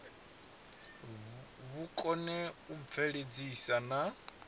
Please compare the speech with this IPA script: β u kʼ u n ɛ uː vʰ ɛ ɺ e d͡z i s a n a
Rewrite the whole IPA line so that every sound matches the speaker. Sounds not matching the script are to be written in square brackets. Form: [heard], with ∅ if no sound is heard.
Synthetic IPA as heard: β u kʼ [ɔ] n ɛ [u] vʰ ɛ ɺ e d͡z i s a n a